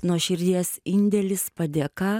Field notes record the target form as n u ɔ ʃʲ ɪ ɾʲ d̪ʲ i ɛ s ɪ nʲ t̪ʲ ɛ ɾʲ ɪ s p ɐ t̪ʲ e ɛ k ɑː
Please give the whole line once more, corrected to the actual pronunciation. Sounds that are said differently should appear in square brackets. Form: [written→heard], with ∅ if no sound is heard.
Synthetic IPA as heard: n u ɔ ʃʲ ɪ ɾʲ d̪ʲ i ɛ s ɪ nʲ [t̪ʲ→d̪ʲ] ɛ [ɾʲ→lʲ] ɪ s p ɐ [t̪ʲ→d̪ʲ] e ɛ k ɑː